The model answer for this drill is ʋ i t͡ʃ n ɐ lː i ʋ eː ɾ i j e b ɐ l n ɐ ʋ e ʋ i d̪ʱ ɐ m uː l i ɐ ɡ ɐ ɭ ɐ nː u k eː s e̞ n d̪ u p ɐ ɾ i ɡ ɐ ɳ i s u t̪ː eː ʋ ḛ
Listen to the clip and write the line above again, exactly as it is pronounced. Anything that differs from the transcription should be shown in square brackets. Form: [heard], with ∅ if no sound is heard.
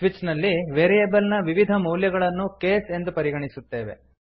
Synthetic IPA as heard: ʋ i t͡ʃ n ɐ lː i ʋ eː ɾ i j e b ɐ l n ɐ ʋ [i] ʋ i d̪ʱ ɐ m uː l [j] ɐ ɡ ɐ ɭ ɐ nː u k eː s e̞ n d̪ u p ɐ ɾ i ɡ ɐ ɳ i s u t̪ː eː ʋ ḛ